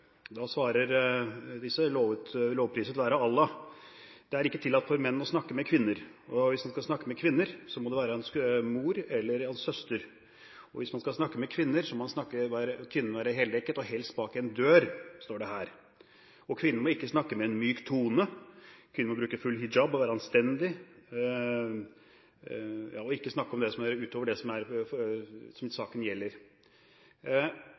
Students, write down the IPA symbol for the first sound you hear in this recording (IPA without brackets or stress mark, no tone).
d̪